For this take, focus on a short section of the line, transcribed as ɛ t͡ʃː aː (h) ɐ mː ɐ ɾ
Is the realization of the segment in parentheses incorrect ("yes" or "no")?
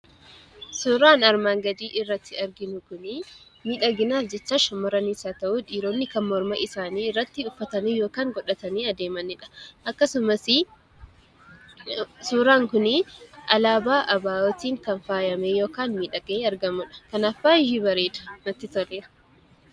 yes